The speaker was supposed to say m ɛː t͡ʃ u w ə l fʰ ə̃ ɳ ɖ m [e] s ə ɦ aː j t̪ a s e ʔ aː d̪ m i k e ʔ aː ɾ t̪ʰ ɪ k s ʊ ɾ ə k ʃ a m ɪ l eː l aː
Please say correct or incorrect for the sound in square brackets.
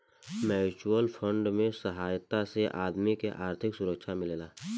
incorrect